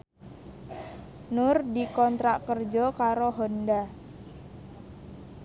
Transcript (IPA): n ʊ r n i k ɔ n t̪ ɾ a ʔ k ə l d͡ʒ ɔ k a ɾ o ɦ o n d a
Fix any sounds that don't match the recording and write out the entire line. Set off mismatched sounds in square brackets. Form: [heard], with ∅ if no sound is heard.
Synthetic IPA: n ʊ r [d] i k ɔ n t̪ ɾ a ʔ k ə [r] d͡ʒ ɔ k a ɾ o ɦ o n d a